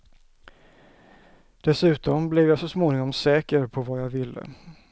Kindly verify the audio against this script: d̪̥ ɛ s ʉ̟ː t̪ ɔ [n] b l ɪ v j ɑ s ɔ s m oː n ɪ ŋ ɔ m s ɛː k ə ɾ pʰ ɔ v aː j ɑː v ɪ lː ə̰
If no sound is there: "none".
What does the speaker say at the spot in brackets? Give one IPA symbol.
m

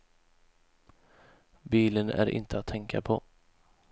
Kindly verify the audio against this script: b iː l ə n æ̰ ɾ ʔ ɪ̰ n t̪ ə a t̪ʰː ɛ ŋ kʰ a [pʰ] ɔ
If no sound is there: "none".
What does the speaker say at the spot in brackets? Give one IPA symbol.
pʰ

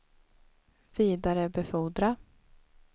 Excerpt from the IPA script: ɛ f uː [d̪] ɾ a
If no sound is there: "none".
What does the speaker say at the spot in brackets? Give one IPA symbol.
d̪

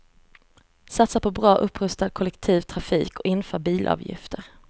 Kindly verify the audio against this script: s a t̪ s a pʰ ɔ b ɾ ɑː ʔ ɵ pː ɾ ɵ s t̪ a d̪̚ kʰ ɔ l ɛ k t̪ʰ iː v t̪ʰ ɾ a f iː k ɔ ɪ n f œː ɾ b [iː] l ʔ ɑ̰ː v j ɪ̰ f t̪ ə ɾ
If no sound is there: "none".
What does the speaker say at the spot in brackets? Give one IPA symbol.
iː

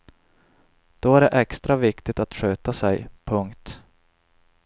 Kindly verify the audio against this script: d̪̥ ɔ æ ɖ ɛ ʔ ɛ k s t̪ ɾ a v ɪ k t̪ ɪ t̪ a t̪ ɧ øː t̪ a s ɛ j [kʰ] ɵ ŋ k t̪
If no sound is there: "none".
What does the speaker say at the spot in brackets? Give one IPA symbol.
pʰ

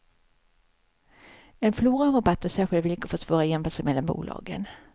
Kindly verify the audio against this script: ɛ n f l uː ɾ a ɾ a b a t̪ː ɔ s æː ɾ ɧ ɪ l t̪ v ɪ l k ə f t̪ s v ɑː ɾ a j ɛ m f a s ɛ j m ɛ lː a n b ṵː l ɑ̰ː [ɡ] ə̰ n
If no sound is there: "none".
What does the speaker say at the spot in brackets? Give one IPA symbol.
ɡ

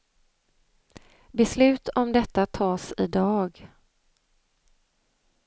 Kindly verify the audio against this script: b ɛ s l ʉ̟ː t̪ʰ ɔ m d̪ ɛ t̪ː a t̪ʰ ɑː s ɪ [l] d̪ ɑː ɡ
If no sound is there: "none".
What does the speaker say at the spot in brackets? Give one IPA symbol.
none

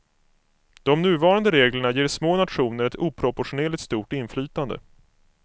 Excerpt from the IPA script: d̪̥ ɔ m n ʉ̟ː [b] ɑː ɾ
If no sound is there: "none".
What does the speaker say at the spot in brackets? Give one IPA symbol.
v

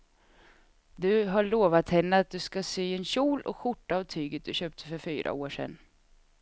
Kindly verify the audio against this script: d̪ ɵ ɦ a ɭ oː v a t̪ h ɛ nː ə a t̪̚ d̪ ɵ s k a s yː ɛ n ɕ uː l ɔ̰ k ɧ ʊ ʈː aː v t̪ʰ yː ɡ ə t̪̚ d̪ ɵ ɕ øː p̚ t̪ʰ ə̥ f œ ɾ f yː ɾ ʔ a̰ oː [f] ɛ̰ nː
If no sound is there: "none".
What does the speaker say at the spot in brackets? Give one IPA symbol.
ʂ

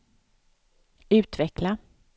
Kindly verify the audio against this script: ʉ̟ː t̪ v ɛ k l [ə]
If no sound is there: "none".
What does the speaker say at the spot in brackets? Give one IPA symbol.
a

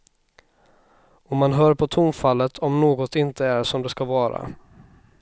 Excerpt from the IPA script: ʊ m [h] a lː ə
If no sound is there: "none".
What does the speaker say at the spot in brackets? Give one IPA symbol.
f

